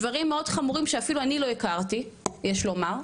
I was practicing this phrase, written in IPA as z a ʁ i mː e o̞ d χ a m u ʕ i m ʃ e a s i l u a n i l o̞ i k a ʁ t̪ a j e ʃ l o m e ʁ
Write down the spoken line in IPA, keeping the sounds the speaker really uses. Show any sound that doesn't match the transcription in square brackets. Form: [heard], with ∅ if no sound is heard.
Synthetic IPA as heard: [v] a ʁ i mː e o̞ d χ a m u [ʁ] i m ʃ e a [f] i l u a n i l o̞ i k a ʁ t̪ [i] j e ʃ l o m [a] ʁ